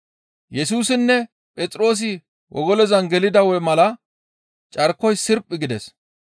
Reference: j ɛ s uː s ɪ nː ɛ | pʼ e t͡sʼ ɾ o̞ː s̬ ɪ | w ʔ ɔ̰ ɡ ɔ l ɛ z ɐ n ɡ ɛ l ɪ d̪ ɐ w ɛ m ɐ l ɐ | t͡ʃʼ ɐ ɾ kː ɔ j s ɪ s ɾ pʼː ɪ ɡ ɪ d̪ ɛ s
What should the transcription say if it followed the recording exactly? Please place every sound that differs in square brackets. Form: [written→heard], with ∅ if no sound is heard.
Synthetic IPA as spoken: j ɛ s uː s ɪ nː ɛ | pʼ [e→ɛ] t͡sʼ ɾ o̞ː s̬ ɪ | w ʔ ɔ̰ ɡ ɔ l ɛ z ɐ n ɡ ɛ l ɪ d̪ ɐ w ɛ m ɐ l ɐ | t͡ʃʼ ɐ ɾ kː ɔ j s ɪ [s→∅] ɾ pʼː ɪ ɡ ɪ d̪ ɛ s